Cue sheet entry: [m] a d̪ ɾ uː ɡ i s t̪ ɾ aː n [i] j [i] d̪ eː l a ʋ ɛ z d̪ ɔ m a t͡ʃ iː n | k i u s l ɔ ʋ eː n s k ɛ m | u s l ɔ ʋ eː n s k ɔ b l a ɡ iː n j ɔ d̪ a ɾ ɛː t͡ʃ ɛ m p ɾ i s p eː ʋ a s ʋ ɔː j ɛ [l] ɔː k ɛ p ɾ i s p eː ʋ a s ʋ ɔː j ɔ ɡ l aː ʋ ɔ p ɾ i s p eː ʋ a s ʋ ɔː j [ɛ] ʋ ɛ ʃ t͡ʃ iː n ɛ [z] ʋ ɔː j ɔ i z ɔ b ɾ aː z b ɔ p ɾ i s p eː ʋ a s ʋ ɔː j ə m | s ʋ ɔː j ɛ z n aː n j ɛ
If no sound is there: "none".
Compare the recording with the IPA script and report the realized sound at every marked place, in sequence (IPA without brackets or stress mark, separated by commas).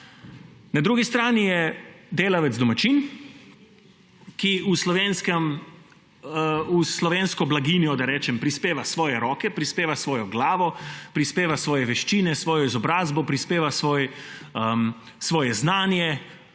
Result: n, i, ɛ, ɾ, ɛ, s